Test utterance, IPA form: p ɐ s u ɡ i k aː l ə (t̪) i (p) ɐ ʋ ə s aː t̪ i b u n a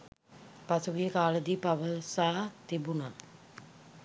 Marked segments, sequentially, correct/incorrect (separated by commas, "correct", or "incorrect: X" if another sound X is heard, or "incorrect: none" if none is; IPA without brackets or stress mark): incorrect: d̪, correct